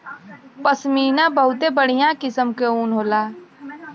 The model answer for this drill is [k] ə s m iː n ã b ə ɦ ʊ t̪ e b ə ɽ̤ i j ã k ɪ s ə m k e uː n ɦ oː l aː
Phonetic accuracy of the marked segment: incorrect: p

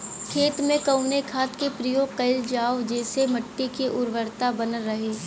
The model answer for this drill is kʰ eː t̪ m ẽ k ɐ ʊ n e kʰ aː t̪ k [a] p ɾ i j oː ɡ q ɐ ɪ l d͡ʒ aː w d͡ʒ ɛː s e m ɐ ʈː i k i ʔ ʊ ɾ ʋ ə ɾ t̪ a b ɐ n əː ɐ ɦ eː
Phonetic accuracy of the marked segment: incorrect: e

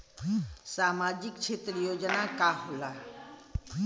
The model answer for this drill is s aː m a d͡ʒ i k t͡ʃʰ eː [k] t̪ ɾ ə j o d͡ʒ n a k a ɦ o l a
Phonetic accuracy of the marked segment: incorrect: none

